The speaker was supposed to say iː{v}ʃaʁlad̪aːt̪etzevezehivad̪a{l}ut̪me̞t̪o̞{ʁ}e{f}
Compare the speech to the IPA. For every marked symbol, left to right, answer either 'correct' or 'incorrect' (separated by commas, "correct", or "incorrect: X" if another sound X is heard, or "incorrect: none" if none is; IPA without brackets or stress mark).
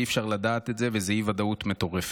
incorrect: f, incorrect: none, correct, correct